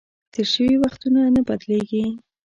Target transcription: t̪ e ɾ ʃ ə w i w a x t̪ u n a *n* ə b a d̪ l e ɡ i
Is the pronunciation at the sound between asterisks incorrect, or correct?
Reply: correct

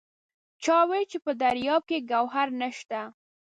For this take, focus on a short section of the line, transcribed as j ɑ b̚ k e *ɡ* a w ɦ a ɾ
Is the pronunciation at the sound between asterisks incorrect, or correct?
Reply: correct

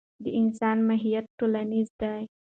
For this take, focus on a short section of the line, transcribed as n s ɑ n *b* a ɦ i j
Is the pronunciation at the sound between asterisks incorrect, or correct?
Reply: incorrect: m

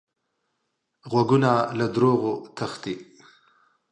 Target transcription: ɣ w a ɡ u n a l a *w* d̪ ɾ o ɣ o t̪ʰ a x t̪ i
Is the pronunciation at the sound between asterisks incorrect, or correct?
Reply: incorrect: none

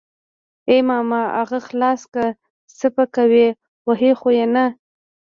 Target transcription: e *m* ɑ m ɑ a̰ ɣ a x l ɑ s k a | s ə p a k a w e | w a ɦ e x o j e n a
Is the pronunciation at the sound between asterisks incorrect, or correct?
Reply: correct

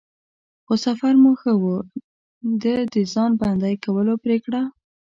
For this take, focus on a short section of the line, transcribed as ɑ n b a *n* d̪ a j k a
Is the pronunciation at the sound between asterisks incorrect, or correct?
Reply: correct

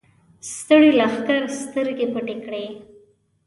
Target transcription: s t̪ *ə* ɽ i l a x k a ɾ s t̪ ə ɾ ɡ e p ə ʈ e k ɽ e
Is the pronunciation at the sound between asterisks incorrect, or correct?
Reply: correct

